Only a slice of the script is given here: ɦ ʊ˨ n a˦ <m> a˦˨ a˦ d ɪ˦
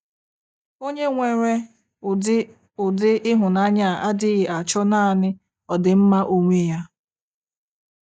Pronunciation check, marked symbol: incorrect: ɲ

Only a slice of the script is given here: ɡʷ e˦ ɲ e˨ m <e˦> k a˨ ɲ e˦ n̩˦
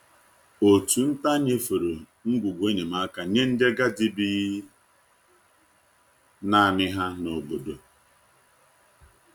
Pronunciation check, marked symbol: incorrect: a˦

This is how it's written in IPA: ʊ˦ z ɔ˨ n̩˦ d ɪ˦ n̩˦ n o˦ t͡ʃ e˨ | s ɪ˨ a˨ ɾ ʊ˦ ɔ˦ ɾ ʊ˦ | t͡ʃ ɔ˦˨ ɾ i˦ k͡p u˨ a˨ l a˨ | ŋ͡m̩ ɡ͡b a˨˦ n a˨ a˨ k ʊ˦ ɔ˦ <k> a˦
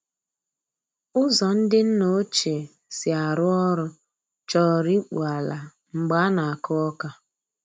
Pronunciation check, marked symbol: correct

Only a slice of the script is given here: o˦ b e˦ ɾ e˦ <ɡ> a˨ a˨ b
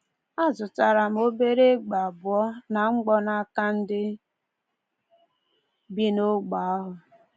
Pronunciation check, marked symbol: incorrect: ɡ͡b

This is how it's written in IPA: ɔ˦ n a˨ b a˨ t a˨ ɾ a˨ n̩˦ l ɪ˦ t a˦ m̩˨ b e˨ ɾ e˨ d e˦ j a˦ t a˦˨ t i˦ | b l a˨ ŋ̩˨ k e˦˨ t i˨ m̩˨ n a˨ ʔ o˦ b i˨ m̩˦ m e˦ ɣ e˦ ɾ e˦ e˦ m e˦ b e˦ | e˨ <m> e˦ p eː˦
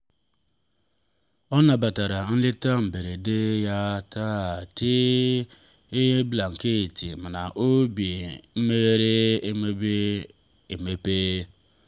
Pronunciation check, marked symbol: correct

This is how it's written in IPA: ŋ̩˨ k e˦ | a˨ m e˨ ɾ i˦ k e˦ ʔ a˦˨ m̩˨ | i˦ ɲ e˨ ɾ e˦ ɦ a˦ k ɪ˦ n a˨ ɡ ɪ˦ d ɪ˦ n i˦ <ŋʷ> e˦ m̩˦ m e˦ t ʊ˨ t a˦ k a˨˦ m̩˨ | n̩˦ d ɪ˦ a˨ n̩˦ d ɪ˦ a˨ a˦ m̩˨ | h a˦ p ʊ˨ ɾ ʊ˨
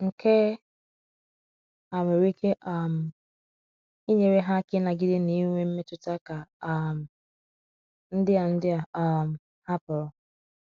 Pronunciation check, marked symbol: correct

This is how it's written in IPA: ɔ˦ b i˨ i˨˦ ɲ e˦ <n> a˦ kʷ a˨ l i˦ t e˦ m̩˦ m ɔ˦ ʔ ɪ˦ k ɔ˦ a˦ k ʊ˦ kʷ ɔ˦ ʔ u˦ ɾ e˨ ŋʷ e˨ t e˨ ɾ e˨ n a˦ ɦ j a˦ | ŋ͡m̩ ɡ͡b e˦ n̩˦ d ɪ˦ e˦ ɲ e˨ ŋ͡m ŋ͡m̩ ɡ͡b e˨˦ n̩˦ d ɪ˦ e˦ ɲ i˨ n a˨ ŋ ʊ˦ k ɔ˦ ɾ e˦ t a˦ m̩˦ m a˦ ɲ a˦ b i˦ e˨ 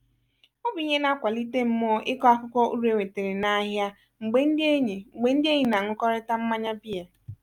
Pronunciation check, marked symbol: correct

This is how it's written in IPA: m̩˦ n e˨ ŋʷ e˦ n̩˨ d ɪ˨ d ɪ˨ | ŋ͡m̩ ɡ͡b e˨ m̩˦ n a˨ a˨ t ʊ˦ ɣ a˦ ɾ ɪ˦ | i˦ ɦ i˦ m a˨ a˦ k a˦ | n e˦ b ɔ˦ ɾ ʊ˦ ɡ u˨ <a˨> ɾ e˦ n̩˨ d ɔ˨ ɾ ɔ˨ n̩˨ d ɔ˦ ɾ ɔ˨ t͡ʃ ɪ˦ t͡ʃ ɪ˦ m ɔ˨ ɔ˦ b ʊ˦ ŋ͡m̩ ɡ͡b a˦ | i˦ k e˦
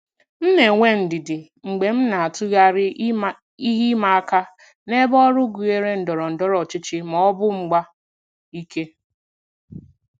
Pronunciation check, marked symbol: incorrect: e˨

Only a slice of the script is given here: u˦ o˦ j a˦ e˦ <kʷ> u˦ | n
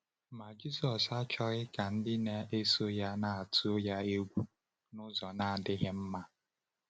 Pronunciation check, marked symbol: incorrect: ɡʷ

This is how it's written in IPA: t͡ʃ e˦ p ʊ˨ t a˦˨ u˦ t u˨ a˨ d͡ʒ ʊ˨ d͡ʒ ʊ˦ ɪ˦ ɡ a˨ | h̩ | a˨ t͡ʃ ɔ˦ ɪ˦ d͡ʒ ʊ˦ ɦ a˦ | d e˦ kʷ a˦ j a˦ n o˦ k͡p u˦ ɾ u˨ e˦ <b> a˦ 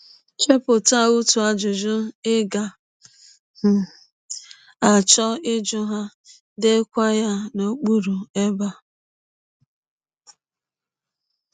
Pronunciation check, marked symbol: correct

